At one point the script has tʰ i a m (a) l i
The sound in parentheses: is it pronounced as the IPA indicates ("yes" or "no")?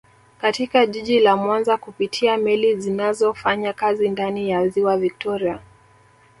no